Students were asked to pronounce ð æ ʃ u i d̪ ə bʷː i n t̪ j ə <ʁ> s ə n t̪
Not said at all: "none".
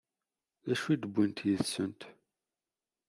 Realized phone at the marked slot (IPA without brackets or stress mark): ð